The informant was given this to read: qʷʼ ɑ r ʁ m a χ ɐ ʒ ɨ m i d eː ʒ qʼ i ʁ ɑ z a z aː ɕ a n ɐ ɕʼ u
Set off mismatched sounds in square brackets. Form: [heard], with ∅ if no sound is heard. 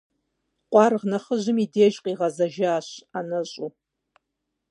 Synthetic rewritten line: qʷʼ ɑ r ʁ [n] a χ [ə] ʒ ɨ m i d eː ʒ qʼ i ʁ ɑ z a [ʒ] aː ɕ a n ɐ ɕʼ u